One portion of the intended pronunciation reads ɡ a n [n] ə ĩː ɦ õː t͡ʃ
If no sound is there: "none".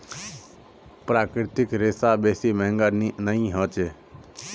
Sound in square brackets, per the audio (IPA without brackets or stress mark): n